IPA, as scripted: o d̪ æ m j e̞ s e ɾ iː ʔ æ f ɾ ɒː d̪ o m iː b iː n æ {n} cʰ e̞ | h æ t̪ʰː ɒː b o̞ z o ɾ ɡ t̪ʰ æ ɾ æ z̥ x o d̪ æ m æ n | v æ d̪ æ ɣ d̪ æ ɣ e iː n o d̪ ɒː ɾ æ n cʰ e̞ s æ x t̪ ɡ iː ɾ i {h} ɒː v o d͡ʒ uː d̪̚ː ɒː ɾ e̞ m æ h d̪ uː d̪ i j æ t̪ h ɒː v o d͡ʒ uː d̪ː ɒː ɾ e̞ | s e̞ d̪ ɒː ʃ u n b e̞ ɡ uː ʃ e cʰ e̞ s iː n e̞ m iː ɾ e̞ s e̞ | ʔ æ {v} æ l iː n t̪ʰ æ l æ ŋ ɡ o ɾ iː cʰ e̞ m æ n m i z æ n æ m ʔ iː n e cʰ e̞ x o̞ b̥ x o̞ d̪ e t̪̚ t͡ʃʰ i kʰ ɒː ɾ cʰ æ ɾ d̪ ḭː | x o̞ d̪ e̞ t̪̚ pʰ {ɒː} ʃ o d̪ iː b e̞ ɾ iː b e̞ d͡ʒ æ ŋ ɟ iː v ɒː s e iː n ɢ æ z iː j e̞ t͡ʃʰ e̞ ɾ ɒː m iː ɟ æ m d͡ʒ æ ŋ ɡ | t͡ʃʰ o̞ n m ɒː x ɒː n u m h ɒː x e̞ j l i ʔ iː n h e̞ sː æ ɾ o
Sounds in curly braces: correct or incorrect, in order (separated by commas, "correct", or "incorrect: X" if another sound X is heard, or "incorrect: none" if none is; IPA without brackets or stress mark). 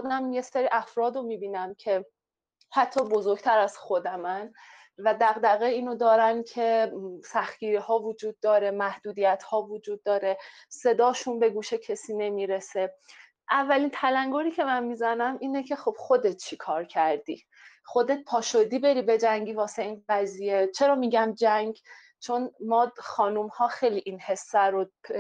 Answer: incorrect: m, correct, incorrect: vː, correct